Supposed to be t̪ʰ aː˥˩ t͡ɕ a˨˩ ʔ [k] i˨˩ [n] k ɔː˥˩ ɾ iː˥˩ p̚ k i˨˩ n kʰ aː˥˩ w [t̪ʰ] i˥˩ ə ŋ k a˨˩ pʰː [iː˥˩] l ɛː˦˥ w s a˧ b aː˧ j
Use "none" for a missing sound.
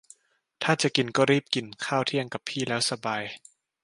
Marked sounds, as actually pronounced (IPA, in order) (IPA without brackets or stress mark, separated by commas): k, n, t̪ʰ, iː˥˩